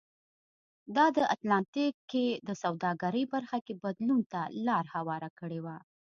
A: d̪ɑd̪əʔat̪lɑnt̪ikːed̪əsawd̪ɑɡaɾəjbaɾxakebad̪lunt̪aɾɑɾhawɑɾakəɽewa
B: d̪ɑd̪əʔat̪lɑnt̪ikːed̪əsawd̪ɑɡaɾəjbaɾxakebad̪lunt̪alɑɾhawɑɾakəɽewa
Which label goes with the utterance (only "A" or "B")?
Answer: B